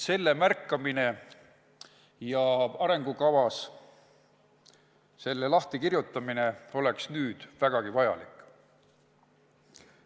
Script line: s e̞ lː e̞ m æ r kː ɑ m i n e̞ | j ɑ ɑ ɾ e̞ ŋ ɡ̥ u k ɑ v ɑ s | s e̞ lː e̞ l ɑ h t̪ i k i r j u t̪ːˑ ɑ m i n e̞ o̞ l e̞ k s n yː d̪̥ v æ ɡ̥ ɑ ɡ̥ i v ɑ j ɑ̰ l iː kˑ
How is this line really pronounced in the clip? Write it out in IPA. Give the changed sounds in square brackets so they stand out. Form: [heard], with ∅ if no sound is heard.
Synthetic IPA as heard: s e̞ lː e̞ m æ r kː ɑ m i n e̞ | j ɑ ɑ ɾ e̞ ŋ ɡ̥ u k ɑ v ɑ s | s e̞ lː e̞ l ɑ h t̪ i k i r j u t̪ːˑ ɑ m i n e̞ o̞ l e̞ k s n yː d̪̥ v æ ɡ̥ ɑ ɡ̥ i v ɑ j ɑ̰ l [i] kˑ